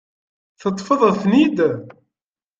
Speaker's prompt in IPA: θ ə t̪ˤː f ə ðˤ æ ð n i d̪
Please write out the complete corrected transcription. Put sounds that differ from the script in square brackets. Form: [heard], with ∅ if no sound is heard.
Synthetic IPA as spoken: θ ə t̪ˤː f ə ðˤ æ [θ] n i d̪